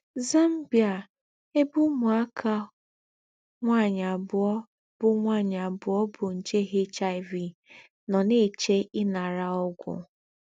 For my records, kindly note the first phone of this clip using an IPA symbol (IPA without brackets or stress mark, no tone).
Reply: z